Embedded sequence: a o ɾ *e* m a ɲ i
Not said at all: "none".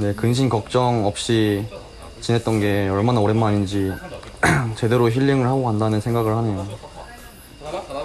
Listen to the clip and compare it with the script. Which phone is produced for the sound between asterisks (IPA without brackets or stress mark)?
e